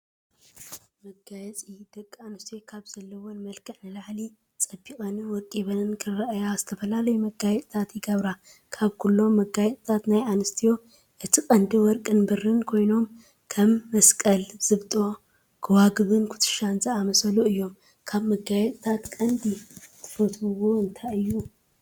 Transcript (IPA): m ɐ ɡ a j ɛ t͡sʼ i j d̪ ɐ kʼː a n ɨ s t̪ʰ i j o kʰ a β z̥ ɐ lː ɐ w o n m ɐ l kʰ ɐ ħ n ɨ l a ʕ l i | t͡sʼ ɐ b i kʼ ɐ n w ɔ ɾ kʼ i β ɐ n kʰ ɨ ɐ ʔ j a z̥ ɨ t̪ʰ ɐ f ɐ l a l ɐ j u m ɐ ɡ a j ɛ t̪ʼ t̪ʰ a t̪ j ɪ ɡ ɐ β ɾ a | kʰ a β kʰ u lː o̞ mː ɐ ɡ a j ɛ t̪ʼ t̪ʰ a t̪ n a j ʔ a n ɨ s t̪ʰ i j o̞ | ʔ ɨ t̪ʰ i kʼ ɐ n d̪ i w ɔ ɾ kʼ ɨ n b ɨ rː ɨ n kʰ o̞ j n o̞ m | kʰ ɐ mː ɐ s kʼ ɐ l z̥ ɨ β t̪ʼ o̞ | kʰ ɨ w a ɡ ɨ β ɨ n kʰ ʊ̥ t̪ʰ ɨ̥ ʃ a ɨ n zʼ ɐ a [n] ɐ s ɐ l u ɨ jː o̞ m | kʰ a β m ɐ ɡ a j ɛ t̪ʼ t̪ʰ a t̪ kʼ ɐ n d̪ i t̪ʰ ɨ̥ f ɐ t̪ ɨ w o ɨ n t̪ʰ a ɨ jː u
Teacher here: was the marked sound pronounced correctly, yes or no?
no